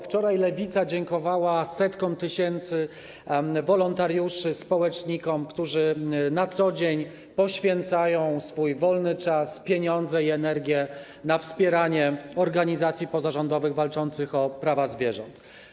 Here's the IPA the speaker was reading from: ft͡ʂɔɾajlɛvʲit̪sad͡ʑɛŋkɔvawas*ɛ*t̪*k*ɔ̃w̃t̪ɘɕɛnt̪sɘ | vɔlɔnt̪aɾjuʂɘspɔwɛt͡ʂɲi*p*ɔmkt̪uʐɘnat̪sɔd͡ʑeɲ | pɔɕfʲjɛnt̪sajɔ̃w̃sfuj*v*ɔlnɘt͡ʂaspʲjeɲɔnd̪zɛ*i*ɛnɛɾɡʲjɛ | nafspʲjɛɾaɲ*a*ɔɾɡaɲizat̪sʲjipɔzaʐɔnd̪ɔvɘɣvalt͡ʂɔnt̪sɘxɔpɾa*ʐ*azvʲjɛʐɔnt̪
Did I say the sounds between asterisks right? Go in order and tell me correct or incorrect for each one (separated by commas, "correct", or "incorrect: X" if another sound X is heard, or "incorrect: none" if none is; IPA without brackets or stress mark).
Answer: correct, correct, incorrect: k, correct, correct, incorrect: ɛ, incorrect: v